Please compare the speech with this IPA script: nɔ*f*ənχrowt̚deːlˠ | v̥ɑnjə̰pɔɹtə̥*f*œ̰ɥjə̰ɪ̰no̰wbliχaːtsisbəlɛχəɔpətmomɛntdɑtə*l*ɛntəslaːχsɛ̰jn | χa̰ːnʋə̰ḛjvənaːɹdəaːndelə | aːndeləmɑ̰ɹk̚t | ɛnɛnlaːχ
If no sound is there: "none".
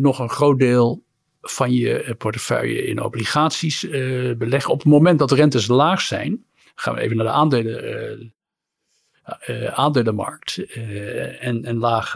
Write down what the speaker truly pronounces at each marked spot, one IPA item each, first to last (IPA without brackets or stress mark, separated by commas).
χ, f, r